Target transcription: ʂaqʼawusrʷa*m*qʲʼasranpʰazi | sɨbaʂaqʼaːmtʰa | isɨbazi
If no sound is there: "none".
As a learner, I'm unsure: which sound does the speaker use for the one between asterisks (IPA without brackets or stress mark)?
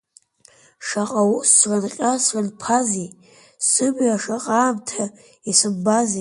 n